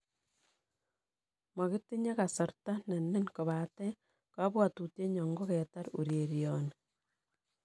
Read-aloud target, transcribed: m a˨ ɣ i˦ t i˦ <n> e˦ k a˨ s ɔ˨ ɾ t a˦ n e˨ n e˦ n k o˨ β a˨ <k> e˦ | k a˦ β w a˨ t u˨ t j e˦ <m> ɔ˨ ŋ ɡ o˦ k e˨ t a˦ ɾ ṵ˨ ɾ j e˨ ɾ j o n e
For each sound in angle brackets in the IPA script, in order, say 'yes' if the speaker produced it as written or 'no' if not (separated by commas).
no, no, no